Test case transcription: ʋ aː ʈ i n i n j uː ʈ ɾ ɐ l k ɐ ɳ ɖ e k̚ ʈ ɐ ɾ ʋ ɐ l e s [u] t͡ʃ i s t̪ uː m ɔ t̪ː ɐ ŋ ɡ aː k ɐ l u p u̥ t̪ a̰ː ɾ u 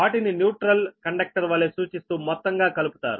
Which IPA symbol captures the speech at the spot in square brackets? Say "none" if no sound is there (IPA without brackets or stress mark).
uː